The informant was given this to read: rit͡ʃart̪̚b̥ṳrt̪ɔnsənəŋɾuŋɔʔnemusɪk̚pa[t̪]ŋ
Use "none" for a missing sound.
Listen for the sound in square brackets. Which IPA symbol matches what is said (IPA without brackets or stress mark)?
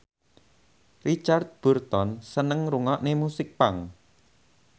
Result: none